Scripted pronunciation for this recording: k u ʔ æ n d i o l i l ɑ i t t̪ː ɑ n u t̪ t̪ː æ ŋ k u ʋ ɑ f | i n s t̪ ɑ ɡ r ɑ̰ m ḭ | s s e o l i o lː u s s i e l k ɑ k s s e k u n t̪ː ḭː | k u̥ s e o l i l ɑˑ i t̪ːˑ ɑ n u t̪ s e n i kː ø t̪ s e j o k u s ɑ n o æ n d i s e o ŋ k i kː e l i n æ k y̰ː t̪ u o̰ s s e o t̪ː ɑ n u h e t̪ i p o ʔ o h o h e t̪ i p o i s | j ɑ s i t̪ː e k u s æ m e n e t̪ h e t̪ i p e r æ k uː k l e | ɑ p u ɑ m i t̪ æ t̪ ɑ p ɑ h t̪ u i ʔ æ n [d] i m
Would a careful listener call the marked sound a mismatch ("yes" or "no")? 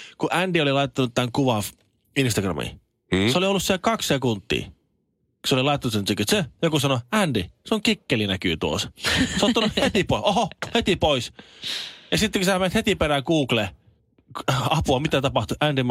no